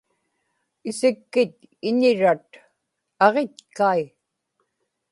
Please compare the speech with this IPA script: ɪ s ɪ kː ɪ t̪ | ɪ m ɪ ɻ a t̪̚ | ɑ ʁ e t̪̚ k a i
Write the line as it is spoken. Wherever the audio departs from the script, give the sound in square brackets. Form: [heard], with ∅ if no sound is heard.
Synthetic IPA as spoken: ɪ s ɪ kː ɪ t̪ | ɪ [ɲ] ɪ ɻ a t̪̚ | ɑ ʁ e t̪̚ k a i